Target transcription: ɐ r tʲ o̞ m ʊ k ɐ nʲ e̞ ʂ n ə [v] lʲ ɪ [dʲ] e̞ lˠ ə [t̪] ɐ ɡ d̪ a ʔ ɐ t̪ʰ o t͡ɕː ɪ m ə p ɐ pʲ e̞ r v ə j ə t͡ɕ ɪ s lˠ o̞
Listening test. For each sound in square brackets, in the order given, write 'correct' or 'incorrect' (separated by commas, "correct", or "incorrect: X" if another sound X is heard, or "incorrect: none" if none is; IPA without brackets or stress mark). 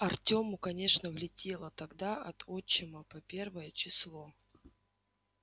correct, incorrect: tʲ, correct